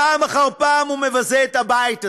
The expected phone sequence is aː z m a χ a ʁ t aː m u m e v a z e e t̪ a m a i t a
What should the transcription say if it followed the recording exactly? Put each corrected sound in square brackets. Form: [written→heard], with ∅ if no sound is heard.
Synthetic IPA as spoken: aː [z→∅] m a χ a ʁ [t→p] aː m u m e v a z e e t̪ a [m→b] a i t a